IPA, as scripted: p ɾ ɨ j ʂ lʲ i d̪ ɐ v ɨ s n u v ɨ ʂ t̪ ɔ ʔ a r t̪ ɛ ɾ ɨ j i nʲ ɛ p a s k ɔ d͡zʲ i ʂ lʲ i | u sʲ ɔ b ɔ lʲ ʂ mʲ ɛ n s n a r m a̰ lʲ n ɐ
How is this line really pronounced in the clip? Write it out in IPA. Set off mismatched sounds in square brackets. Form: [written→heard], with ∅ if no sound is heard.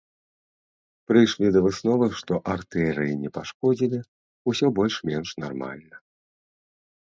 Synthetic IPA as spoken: p ɾ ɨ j ʂ lʲ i d̪ ɐ v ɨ s n [u→ɔ] v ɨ ʂ t̪ ɔ ʔ a r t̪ ɛ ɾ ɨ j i nʲ ɛ p a [s→ʂ] k ɔ d͡zʲ i [ʂ→∅] lʲ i | u sʲ ɔ b ɔ lʲ ʂ mʲ ɛ n [s→ʂ] n a r m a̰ lʲ n ɐ